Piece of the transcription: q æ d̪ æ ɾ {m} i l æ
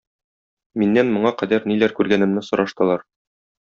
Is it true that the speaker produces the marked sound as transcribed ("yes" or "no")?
no